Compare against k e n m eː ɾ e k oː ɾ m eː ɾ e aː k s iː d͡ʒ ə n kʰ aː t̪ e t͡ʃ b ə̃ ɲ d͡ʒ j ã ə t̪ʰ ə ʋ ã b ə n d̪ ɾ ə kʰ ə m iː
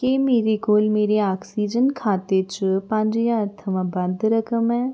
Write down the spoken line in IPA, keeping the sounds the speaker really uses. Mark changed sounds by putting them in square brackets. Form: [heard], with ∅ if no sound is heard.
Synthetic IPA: k e [∅] m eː ɾ e k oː [l] m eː ɾ e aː k s iː d͡ʒ ə n kʰ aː t̪ e t͡ʃ [p] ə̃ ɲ d͡ʒ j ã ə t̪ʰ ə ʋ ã b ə n d̪ ɾ ə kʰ ə m [ɛː]